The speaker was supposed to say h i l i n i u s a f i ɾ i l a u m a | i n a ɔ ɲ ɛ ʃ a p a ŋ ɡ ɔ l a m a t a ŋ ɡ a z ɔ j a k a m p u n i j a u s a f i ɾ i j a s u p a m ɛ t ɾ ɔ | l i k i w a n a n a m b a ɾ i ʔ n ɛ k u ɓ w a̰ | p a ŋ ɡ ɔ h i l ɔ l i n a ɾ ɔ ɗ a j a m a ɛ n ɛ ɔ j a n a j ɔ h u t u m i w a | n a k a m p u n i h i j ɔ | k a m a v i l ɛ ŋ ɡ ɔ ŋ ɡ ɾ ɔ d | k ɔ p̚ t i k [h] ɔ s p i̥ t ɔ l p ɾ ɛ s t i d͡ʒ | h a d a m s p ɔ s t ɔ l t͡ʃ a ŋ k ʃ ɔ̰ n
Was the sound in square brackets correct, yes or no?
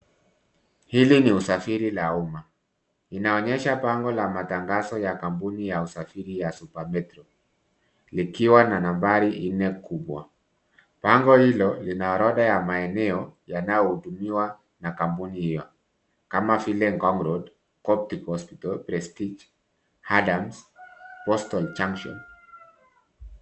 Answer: yes